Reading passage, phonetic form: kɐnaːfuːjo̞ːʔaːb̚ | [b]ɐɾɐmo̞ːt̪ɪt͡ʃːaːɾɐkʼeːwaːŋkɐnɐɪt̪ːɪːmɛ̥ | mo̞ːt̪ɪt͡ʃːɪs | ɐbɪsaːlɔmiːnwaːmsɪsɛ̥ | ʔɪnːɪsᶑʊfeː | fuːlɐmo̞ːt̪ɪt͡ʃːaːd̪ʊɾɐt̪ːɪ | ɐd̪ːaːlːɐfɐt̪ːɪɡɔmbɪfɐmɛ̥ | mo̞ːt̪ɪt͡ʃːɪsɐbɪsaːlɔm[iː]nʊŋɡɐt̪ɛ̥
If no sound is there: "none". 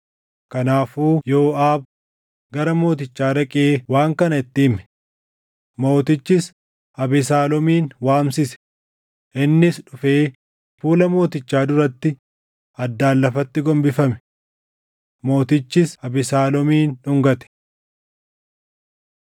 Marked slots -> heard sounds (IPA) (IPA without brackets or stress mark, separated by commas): ɡ, iː